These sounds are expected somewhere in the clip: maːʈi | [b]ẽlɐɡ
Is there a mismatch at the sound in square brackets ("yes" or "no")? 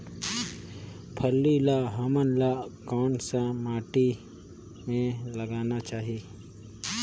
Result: yes